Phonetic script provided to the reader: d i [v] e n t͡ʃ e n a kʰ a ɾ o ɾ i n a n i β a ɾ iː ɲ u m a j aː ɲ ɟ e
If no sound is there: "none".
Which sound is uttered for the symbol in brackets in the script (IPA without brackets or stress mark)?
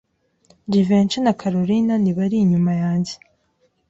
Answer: v